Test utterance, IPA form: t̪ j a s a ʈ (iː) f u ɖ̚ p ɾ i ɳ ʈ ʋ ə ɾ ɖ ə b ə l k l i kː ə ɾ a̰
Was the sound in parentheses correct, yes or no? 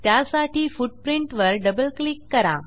yes